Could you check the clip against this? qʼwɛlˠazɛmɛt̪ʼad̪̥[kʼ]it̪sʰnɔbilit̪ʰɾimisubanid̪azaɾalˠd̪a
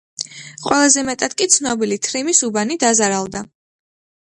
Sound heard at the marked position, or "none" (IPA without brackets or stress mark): kʼ